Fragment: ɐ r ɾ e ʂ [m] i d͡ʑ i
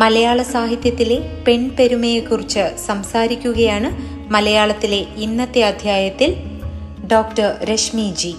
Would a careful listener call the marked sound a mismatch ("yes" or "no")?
no